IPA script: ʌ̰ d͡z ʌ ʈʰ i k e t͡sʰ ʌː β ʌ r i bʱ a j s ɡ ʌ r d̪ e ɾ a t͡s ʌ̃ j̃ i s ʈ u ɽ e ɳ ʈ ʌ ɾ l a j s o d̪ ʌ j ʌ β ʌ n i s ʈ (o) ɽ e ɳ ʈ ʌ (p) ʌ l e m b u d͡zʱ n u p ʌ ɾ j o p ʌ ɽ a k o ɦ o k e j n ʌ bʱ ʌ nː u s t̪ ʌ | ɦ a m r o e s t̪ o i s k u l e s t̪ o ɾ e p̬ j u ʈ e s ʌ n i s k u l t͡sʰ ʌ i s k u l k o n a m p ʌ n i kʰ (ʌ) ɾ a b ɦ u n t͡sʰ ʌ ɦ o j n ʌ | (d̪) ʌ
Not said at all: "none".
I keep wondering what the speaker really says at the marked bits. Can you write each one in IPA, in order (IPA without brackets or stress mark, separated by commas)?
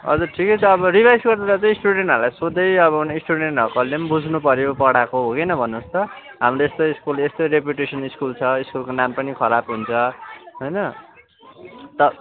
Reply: u, k, ʌ, t̪